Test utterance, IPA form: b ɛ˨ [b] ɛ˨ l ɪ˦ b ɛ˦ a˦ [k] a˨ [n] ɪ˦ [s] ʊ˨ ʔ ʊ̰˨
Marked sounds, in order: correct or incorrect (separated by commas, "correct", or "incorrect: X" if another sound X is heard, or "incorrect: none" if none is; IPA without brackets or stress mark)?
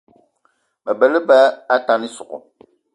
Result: correct, incorrect: t, correct, correct